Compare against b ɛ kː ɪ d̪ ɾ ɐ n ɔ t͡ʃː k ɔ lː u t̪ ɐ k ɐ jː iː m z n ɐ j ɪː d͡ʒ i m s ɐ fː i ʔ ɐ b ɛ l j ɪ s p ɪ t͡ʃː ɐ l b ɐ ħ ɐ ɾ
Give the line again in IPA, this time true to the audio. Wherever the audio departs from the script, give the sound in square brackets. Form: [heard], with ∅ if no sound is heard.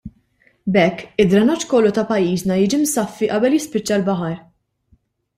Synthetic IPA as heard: b ɛ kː ɪ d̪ ɾ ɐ n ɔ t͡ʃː k ɔ lː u t̪ ɐ [p] ɐ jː iː [∅] z n ɐ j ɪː d͡ʒ i m s ɐ fː i ʔ ɐ b ɛ l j ɪ s p ɪ t͡ʃː ɐ l b ɐ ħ ɐ ɾ